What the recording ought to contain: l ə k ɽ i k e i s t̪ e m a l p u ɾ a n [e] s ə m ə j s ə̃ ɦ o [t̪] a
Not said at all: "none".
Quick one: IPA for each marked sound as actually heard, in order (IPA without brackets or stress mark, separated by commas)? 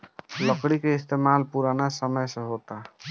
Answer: a, t̪